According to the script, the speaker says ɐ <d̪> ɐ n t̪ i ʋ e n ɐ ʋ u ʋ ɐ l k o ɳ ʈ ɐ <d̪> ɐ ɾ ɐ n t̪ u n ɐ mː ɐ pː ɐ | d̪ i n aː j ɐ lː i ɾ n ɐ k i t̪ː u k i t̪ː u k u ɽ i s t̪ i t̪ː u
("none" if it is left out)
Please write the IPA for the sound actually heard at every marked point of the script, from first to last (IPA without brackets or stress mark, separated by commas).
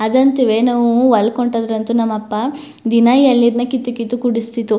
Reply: d̪, d̪